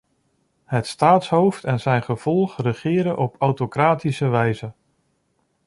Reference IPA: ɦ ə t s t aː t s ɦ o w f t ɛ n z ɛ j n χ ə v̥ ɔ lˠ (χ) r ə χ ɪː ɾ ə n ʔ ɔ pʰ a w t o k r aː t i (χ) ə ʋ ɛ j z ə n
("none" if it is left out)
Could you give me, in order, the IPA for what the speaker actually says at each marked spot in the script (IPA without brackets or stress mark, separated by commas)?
χ, s